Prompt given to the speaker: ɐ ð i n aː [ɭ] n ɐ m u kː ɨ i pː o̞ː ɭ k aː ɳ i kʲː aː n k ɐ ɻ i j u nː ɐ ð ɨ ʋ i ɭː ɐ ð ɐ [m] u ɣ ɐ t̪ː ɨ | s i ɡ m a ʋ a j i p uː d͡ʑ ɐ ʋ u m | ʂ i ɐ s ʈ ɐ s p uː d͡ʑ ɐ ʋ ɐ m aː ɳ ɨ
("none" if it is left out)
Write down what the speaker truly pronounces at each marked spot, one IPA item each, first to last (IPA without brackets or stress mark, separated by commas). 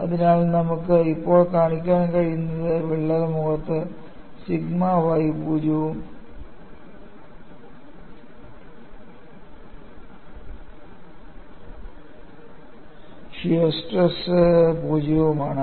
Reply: l, m